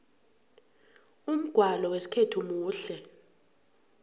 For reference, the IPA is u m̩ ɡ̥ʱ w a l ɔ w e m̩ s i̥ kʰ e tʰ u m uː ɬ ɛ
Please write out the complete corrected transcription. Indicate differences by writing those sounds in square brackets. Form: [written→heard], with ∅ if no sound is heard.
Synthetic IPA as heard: u m̩ ɡ̥ʱ w a l ɔ w e [m̩→∅] s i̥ kʰ e tʰ u m uː ɬ ɛ

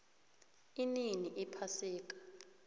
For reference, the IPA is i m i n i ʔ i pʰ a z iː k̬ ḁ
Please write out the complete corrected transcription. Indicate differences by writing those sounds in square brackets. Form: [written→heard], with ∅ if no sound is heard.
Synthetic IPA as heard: i [m→n] i n i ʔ i pʰ a [z→s] iː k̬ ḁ

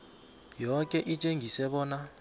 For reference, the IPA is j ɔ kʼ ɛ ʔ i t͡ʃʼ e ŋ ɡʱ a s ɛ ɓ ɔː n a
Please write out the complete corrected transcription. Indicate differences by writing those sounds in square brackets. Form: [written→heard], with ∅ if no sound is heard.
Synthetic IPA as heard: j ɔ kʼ ɛ ʔ i t͡ʃʼ e ŋ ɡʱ [a→i] s ɛ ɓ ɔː n a

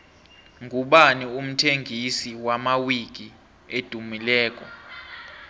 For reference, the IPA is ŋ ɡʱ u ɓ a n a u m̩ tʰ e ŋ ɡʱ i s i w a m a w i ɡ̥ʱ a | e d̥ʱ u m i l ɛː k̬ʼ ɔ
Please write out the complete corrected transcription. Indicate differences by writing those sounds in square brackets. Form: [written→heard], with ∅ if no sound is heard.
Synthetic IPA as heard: ŋ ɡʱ u ɓ a n [a→i] u m̩ tʰ e ŋ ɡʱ i s i w a m a w i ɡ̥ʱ [a→i] | e d̥ʱ u m i l ɛː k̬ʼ ɔ

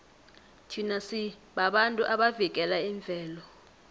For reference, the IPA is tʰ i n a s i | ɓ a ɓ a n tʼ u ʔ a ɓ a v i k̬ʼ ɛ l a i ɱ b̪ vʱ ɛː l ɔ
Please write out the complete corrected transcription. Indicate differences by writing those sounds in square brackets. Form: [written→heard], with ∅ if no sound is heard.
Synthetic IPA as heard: tʰ i n a s i | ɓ a ɓ a n tʼ u ʔ a ɓ a v i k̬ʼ ɛ l a i ɱ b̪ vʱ ɛː l ɔ

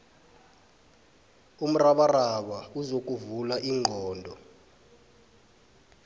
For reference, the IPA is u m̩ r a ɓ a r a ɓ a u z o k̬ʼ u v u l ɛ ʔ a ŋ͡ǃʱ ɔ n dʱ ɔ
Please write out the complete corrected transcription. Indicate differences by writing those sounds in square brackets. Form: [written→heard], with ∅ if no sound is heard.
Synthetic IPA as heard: u m̩ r a ɓ a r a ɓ a u z o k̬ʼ u v u l [ɛ→a] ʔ [a→i] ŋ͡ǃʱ [ɔ→ɔː] n dʱ ɔ

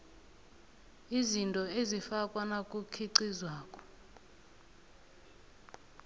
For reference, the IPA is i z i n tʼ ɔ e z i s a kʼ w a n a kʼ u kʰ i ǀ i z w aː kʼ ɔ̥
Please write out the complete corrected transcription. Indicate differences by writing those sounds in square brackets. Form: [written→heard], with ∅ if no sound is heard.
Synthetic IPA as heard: i z i n tʼ ɔ e z i [s→f] a kʼ w a n a kʼ u kʰ i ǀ i z w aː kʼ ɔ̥

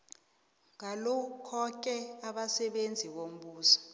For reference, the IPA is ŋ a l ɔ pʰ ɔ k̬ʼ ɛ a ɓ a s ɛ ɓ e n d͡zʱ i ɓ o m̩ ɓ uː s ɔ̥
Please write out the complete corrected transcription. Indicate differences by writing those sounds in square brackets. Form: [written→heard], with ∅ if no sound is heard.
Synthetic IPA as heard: ŋ a l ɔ [pʰ→kʰ] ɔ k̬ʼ ɛ a ɓ a s ɛ ɓ e n d͡zʱ i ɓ o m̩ ɓ uː s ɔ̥

